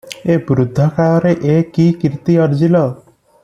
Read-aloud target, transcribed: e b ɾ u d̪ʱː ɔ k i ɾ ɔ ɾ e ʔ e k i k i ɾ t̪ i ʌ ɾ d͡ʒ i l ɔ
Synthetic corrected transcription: e b ɾ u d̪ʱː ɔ k a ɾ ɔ ɾ e ʔ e k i k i ɾ t̪ i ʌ ɾ d͡ʒ i l ɔ